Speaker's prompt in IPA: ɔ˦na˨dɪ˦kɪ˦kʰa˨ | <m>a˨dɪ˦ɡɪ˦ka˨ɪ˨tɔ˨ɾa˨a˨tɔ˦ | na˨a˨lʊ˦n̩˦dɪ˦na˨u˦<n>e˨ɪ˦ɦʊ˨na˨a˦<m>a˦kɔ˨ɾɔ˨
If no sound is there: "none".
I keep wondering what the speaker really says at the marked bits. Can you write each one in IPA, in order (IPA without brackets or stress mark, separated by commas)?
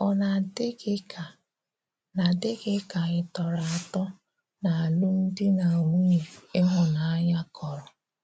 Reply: n, ɲ, ɲ